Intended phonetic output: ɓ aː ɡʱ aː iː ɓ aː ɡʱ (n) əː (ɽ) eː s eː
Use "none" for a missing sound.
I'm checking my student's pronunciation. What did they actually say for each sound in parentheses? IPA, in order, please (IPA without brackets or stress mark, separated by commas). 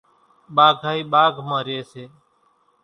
m, ɾ